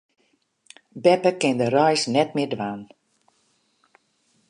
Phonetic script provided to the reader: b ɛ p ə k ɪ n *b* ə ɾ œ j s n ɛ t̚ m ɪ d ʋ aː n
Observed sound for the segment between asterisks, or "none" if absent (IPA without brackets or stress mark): d